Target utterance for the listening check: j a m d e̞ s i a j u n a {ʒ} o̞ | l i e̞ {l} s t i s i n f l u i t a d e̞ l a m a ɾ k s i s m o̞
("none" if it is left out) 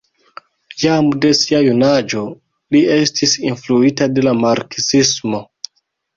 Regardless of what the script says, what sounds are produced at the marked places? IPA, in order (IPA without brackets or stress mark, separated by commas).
d͡ʒ, none